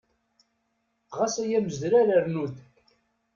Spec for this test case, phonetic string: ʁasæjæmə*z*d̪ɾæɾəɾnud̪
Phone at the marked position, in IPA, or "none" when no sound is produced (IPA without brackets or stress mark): z